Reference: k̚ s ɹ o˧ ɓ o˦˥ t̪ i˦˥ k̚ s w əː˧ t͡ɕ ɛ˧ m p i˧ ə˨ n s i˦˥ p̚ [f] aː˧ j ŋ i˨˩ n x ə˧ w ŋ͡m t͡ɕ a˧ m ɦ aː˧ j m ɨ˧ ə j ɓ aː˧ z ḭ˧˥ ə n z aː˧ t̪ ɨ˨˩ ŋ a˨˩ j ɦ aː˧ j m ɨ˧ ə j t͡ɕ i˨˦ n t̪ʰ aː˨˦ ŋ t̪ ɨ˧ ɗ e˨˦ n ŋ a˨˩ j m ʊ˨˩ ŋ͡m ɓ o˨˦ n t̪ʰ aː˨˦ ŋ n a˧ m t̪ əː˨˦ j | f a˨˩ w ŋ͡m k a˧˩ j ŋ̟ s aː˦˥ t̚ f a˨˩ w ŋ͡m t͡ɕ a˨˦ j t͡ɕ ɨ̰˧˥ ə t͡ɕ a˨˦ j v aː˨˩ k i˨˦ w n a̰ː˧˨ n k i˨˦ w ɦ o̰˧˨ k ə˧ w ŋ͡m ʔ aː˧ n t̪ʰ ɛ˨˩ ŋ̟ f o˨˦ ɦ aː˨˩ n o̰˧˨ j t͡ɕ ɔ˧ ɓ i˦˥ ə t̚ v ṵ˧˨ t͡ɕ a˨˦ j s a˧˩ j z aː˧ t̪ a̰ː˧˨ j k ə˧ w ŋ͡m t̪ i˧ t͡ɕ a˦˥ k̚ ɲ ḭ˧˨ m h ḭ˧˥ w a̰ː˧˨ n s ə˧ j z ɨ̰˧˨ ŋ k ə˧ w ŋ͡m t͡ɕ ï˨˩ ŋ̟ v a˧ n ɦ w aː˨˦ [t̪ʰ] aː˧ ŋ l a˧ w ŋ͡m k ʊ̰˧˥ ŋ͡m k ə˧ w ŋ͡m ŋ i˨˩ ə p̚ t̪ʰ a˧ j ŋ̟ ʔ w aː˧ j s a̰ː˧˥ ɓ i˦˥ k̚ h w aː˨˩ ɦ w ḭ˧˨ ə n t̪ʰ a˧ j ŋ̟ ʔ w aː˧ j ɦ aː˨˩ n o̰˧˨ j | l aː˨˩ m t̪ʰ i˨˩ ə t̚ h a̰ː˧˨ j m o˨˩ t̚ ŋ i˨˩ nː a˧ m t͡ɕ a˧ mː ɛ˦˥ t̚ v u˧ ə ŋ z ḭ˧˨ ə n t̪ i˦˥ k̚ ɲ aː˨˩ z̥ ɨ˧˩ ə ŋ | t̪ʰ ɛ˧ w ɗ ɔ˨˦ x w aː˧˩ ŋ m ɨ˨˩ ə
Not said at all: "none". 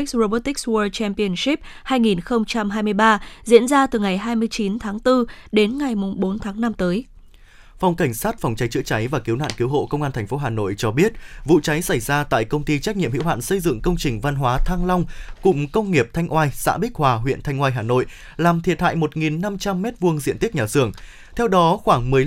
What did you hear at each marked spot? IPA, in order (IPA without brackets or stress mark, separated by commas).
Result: h, t̪ʰ